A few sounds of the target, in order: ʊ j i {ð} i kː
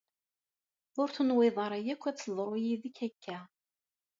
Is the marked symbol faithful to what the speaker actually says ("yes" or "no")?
yes